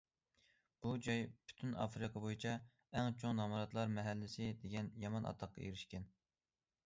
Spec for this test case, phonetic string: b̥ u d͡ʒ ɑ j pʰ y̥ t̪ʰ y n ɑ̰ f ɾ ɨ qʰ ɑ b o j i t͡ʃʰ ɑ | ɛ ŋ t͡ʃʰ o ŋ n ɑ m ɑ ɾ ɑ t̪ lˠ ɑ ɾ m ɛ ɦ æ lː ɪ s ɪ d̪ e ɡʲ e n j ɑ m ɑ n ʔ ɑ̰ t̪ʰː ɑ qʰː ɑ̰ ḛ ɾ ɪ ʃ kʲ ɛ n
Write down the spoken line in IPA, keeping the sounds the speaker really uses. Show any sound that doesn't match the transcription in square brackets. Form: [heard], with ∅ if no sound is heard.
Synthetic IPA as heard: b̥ u d͡ʒ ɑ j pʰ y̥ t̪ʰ y n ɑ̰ f ɾ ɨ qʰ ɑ b o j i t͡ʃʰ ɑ | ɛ ŋ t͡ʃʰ o ŋ n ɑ m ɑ ɾ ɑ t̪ lˠ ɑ ɾ m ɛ ɦ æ lː ɪ s ɪ d̪ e ɡʲ [ɛ] n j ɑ m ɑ n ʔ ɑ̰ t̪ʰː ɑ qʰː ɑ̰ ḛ ɾ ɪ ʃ kʲ ɛ n